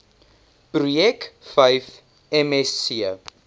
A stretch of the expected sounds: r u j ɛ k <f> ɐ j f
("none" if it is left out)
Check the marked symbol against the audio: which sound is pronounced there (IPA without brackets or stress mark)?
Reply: f